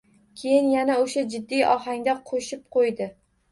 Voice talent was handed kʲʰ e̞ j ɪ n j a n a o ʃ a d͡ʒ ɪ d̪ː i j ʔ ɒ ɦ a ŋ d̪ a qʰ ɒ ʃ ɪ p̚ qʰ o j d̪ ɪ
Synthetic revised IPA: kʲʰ e̞ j ɪ n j a n a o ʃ a d͡ʒ ɪ d̪ː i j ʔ ɒ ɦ a ŋ d̪ a qʰ o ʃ ɪ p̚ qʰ o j d̪ ɪ